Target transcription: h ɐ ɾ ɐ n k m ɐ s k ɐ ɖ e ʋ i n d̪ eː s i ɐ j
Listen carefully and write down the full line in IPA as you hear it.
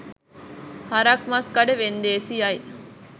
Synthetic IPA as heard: h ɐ ɾ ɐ k m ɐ s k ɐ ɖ e ʋ e n d̪ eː s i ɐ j